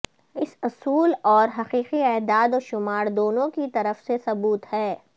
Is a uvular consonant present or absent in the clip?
present